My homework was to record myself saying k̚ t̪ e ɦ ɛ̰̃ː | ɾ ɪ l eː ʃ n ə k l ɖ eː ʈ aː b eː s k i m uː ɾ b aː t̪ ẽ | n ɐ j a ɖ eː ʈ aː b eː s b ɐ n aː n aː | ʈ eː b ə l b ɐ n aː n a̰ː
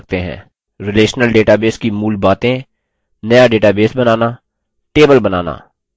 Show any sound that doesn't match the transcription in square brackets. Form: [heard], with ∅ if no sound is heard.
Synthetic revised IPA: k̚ t̪ e ɦ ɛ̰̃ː | ɾ ɪ l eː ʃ n ə [∅] l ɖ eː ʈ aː b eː s k i m uː [l] b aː t̪ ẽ | n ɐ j a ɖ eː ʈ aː b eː s b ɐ n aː n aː | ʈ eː b ə l b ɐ n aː n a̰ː